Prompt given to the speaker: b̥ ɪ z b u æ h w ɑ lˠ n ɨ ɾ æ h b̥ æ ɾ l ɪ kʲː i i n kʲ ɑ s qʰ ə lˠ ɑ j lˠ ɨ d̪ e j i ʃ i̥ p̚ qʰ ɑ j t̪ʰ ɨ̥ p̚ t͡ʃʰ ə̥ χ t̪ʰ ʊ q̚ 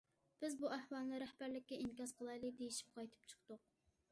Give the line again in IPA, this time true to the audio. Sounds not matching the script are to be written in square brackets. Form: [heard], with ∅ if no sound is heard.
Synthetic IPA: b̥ ɪ z b u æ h w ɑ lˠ n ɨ ɾ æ h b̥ æ ɾ l ɪ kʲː [ɛ] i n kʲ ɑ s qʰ ə lˠ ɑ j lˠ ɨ d̪ e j i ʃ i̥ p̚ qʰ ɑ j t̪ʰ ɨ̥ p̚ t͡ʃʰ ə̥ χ [t̪] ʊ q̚